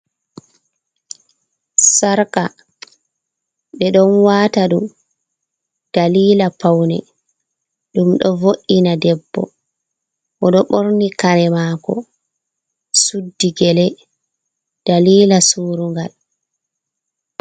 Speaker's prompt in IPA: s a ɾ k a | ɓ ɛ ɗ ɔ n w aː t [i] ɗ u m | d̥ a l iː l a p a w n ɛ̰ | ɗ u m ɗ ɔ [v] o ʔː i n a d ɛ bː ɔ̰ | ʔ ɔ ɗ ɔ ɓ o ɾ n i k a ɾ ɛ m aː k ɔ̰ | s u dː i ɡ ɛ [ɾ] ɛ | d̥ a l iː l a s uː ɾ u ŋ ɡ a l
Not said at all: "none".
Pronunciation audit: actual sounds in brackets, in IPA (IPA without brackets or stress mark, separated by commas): a, v, l